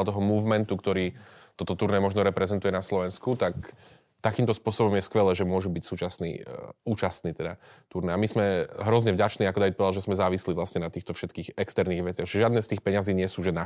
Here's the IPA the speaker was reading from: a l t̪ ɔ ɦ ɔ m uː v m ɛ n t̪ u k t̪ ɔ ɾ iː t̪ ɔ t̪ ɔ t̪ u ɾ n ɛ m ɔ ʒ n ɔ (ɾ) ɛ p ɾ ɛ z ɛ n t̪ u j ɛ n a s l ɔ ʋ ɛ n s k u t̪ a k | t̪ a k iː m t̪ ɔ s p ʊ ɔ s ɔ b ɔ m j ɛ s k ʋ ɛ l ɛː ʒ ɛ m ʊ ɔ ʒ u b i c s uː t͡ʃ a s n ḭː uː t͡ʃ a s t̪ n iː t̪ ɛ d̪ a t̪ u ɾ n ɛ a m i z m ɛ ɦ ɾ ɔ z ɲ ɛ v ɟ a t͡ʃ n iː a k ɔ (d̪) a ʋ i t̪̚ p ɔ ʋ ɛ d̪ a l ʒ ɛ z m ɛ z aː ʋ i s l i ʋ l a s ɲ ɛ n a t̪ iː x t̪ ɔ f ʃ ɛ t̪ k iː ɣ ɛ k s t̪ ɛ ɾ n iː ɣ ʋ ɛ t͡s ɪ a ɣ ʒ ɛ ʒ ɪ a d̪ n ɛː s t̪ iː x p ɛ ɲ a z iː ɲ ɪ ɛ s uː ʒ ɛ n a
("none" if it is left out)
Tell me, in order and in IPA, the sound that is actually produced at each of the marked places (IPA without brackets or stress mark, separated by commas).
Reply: ɾ, d̪